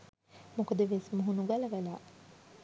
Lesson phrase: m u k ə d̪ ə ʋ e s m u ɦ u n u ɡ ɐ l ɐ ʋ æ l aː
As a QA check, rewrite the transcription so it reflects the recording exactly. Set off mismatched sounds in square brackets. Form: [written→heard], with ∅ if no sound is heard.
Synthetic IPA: m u k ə d̪ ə ʋ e s m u ɦ u n u ɡ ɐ l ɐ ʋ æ l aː